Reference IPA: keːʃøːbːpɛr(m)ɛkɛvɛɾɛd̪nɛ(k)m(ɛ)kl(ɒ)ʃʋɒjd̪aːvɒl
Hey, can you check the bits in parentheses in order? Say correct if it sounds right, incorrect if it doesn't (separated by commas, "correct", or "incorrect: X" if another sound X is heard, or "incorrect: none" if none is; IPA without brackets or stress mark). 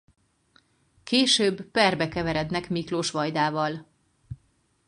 incorrect: b, correct, incorrect: i, incorrect: o